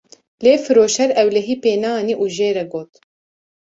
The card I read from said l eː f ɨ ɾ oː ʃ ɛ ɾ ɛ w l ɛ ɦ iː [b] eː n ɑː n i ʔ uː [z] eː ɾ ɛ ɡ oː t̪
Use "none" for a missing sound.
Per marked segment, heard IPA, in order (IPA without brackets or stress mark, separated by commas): p, ʒ